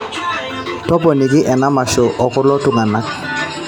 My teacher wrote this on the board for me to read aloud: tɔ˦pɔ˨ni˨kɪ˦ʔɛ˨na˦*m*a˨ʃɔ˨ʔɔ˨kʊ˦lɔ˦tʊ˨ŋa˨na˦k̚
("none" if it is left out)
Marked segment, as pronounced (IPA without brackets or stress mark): m